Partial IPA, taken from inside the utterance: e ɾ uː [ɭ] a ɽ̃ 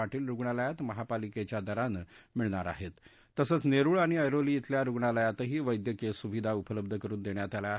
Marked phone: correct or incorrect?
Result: correct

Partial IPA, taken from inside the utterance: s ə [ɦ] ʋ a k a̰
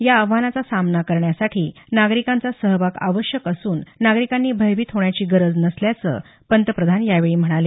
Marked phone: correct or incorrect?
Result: correct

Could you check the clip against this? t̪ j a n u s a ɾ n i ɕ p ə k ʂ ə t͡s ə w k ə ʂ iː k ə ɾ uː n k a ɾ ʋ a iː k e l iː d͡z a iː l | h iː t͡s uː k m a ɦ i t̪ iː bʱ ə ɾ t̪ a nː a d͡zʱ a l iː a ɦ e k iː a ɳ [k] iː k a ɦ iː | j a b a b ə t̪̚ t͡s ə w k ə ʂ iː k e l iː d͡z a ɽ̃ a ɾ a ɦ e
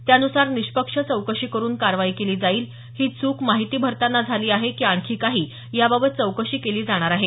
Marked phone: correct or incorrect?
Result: incorrect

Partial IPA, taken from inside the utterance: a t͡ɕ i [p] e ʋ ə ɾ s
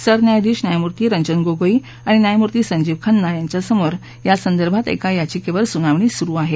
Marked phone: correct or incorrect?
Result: incorrect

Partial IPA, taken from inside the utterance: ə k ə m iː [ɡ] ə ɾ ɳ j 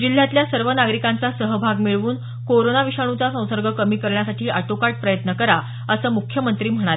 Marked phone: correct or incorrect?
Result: incorrect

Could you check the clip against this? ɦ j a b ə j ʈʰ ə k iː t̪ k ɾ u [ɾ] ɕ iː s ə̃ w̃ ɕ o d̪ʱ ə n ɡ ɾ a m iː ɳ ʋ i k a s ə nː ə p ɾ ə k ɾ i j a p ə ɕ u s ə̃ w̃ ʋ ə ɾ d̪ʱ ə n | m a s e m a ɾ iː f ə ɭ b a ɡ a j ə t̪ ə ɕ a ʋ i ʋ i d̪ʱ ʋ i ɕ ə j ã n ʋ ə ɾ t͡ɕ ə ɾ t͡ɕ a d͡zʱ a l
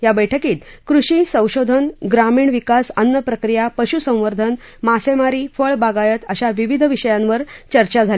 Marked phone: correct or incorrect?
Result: incorrect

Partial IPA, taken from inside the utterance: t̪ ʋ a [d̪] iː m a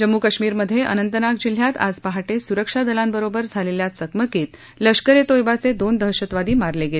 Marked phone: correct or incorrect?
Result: correct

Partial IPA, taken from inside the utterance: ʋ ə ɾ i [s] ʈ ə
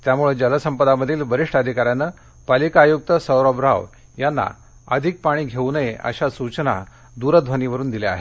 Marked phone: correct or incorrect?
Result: incorrect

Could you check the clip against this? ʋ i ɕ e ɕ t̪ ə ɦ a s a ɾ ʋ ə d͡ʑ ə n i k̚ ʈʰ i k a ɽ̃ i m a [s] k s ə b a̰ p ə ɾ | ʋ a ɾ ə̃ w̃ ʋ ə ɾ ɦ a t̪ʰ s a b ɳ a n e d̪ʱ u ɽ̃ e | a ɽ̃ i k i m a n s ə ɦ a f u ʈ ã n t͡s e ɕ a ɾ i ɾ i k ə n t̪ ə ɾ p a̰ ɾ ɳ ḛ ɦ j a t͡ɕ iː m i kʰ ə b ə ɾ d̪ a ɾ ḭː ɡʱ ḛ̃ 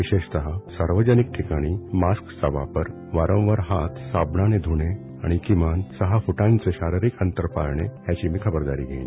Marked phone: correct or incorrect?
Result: correct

